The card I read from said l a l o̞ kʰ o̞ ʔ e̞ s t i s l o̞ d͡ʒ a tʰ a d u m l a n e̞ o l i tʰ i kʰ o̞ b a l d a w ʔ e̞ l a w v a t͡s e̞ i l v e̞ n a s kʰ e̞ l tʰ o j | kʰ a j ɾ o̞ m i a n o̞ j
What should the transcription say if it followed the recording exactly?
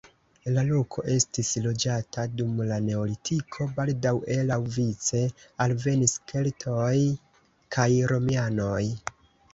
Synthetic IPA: l a l o̞ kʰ o̞ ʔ e̞ s t i s l o̞ d͡ʒ a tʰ a d u m l a n e̞ o l i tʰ i kʰ o̞ b a l d a w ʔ e̞ l a w v i t͡s e̞ a l v e̞ n i s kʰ e̞ l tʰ o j | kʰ a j ɾ o̞ m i a n o̞ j

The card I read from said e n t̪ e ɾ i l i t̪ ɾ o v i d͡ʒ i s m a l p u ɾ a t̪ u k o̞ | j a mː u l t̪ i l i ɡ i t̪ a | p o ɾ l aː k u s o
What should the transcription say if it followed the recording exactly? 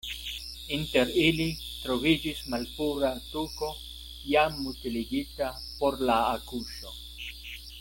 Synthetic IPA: i n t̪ e ɾ i l i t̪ ɾ o v i d͡ʒ i s m a l p u ɾ a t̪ u k o̞ | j a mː u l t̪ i l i ɡ i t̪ a | p o ɾ l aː k u ʃ o

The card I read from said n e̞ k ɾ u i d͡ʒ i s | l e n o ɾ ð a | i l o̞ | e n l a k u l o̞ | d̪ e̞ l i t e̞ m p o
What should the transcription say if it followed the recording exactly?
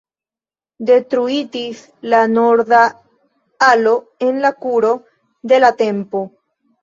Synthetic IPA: d e̞ t ɾ u i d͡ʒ i s | l a n o ɾ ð a | a l o̞ | e n l a k u ɾ o̞ | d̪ e̞ l a t e̞ m p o

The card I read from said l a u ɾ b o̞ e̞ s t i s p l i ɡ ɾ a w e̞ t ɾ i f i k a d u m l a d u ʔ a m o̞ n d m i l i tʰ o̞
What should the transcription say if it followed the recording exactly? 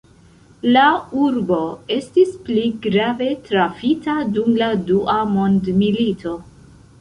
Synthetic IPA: l a u ɾ b o̞ e̞ s t i s p l i ɡ ɾ a v e̞ t ɾ a f i t a d u m l a d u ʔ a m o̞ n d m i l i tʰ o̞

